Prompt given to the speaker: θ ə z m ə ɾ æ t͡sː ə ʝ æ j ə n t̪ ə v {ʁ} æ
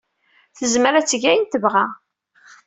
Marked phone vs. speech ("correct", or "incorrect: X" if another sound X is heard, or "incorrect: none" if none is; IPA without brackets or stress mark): correct